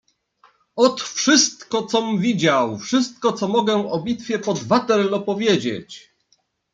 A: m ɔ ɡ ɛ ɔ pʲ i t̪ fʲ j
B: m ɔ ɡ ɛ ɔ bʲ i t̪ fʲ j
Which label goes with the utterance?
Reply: B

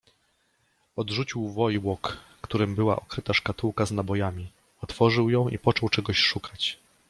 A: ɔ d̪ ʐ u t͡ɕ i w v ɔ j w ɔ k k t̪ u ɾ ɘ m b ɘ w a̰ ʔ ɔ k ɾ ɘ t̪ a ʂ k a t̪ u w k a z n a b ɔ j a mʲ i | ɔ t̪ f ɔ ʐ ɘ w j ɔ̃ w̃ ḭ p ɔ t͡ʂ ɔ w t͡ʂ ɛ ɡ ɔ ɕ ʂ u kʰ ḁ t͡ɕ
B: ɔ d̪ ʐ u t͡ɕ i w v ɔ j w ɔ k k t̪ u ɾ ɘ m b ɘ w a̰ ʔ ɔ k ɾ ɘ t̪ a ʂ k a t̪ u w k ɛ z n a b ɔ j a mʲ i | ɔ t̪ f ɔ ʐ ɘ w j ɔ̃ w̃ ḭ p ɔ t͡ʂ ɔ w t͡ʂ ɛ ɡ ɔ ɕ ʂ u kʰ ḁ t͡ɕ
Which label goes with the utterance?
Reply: A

